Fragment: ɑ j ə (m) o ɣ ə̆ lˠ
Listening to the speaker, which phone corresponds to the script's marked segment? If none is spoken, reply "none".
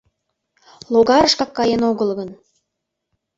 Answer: n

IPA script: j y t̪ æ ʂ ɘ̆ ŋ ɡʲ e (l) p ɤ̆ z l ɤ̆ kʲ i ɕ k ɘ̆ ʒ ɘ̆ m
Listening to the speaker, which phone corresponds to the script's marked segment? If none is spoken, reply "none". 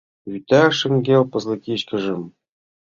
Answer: l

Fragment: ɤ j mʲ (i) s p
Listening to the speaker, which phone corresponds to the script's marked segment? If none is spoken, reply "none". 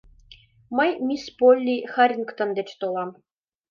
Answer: i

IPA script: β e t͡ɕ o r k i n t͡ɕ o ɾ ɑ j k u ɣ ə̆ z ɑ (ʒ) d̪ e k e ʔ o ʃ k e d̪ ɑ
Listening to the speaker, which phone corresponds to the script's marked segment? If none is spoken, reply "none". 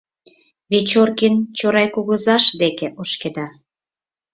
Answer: ʃ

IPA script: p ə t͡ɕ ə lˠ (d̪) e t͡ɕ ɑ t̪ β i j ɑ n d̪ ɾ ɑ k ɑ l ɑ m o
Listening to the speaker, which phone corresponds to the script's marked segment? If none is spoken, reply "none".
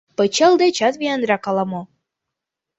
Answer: d̪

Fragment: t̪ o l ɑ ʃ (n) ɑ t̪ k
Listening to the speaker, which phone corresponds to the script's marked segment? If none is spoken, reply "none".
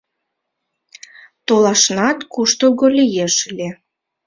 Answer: n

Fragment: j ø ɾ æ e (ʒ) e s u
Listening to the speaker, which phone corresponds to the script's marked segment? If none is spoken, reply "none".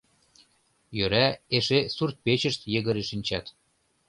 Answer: ʃ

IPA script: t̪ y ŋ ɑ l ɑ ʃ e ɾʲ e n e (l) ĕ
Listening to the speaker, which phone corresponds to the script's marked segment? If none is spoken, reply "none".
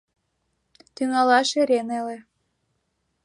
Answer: l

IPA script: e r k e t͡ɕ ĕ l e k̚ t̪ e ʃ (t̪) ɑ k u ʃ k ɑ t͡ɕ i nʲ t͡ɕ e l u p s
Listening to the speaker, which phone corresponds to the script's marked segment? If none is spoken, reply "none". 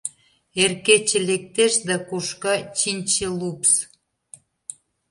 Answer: d̪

